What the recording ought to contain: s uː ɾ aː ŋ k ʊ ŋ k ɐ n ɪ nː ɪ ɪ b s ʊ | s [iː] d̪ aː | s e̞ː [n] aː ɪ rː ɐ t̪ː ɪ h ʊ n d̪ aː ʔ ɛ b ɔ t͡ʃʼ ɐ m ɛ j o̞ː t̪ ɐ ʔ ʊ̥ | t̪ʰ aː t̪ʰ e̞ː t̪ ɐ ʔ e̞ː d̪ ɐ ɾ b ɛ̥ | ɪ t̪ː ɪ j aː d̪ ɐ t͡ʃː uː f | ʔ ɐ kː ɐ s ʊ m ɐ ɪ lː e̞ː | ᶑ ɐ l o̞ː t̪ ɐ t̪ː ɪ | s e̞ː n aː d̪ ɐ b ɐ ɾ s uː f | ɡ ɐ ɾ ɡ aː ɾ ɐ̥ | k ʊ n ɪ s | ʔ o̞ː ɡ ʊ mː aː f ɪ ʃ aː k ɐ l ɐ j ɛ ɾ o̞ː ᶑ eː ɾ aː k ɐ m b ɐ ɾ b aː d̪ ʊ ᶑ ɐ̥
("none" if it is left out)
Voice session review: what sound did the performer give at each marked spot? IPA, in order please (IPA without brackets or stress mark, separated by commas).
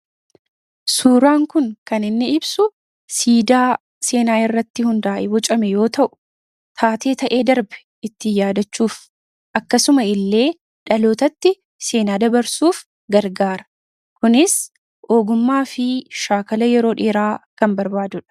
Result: iː, n